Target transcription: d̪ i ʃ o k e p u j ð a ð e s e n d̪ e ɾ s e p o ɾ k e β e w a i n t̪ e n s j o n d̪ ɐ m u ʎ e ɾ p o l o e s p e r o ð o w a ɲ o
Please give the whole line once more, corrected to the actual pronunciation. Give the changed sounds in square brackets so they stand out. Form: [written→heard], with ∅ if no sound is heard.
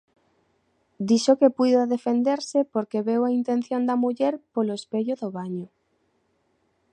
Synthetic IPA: d̪ i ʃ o k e p u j ð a ð e [s→f] e n d̪ e ɾ s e p o ɾ k e β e w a i n t̪ e n [s→θ] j o n d̪ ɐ m u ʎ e ɾ p o l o e s p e [r→ʎ] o ð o [w→β] a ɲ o